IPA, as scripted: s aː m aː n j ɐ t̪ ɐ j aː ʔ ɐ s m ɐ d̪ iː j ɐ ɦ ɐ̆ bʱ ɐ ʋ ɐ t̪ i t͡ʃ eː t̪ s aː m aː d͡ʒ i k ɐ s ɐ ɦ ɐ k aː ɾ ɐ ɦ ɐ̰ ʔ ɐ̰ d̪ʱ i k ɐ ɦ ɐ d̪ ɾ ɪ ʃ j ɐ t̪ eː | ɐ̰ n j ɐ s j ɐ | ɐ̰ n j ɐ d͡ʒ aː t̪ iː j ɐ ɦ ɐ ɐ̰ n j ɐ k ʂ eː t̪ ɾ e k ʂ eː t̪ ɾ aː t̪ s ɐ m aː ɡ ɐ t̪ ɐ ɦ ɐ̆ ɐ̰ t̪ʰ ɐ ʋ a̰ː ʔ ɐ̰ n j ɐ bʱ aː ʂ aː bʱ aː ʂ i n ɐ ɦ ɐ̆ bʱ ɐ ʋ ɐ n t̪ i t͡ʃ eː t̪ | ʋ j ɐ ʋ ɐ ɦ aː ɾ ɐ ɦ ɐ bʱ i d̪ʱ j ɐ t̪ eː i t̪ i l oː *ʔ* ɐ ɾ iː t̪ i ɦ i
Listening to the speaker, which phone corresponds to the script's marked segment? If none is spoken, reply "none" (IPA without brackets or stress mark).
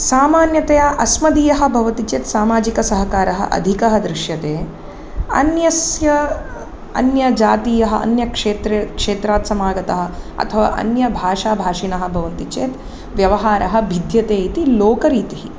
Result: k